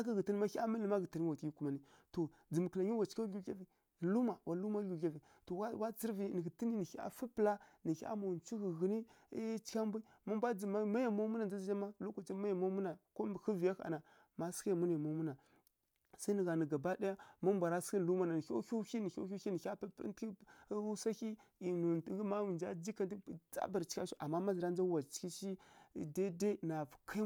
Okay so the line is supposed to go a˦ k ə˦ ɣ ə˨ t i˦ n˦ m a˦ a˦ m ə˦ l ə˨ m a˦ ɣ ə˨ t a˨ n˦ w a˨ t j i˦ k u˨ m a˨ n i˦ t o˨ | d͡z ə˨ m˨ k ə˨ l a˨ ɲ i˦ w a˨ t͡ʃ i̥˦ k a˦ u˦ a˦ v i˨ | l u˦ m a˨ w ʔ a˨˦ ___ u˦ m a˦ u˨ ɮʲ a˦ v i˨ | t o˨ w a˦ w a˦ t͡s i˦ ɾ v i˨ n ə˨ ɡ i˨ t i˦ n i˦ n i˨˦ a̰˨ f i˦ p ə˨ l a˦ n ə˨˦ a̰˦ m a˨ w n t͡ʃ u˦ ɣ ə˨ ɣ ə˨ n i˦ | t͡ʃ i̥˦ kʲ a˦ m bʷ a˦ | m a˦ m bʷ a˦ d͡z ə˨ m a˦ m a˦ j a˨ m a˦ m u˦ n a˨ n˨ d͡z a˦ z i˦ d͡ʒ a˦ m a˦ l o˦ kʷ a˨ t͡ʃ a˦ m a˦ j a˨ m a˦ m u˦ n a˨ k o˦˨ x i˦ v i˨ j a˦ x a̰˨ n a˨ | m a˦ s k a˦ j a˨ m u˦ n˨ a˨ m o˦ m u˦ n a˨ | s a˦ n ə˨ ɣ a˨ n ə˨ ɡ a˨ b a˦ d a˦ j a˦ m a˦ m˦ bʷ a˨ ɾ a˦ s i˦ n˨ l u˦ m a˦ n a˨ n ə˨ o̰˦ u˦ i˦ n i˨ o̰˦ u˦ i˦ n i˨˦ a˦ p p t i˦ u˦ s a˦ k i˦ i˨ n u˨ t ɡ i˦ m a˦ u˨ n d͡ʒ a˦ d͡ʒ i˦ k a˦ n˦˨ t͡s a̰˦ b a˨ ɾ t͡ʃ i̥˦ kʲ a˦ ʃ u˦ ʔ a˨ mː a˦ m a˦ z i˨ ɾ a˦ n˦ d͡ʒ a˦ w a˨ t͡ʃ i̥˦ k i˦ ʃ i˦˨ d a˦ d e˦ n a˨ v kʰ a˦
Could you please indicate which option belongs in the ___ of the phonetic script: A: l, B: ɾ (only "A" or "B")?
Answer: A